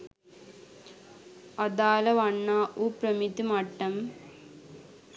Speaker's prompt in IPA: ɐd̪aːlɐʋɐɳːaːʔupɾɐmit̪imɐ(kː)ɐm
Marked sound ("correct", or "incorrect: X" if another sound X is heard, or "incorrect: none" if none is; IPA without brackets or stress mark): incorrect: ʈː